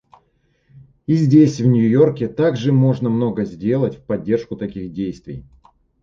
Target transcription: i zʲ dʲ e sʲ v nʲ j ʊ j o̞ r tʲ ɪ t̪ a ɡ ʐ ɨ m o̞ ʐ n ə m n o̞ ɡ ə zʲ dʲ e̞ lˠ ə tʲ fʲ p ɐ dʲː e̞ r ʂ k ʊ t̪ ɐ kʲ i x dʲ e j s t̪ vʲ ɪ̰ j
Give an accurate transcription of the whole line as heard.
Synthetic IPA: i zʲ dʲ e sʲ v nʲ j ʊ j o̞ r kʲ ɪ t̪ a ɡ ʐ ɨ m o̞ ʐ n ə m n o̞ ɡ ə zʲ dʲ e̞ lˠ ə tʲ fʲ p ɐ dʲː e̞ r ʂ k ʊ t̪ ɐ kʲ i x dʲ e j s t̪ vʲ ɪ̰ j